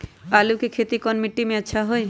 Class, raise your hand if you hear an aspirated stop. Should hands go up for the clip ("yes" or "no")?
yes